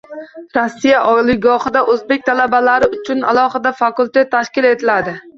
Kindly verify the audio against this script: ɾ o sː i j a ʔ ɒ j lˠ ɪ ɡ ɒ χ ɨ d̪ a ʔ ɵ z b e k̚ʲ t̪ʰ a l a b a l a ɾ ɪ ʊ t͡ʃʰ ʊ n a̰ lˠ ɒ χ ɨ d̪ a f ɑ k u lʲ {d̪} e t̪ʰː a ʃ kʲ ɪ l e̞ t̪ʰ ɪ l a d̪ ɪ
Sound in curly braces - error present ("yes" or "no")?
yes